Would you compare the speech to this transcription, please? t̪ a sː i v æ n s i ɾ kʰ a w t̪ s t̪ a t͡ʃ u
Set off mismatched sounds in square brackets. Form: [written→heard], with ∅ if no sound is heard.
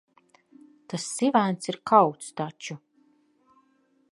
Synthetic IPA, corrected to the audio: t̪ a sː i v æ n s i ɾ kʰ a w t̪ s t̪ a t͡ʃ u

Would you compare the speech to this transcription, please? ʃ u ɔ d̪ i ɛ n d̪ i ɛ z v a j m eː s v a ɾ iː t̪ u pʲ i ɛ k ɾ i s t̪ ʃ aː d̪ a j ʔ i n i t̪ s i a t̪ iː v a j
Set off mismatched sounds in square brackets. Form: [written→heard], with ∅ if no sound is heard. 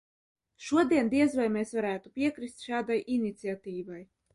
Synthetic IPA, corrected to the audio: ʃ u ɔ d̪ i ɛ n d̪ i ɛ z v a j m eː s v a ɾ [iː→æː] t̪ u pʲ i ɛ k ɾ i s t̪ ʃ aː d̪ a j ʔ i n i t̪ s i a t̪ iː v a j

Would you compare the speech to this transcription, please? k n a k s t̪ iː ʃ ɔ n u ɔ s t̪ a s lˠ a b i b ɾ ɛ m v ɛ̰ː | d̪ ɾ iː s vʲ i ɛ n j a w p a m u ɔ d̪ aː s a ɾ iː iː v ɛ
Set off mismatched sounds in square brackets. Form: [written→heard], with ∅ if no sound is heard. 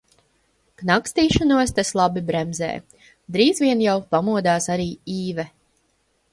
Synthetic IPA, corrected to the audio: k n a k s t̪ iː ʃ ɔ n u ɔ s t̪ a s lˠ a b i b ɾ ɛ m [v→z] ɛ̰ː | d̪ ɾ iː [s→z] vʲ i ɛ n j a w p a m u ɔ d̪ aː s a ɾ iː iː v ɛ

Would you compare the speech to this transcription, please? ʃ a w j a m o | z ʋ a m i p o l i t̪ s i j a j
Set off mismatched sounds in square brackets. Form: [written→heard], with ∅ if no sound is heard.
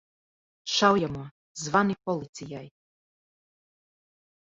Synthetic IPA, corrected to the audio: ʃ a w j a m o | z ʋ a [m→n] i p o l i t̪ s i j a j

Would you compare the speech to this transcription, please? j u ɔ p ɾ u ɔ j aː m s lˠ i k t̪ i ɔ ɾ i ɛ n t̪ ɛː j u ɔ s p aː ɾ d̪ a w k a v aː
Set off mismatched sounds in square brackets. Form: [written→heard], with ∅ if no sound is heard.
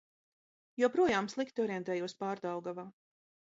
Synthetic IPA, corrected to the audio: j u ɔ p ɾ u ɔ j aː m s lˠ i k t̪ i ɔ ɾ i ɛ n t̪ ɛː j u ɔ s p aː ɾ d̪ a w [k→ɡ] a v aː

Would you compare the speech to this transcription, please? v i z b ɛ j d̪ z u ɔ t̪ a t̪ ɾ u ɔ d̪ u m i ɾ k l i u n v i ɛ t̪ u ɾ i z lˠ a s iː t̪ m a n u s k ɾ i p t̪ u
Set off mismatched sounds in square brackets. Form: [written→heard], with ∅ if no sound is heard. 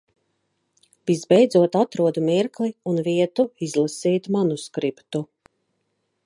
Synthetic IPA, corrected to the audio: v i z b ɛ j d̪ z u ɔ t̪ a t̪ ɾ u ɔ d̪ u m i ɾ k l i u n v i ɛ t̪ u [ɾ→∅] i z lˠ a s iː t̪ m a n u s k ɾ i p t̪ u

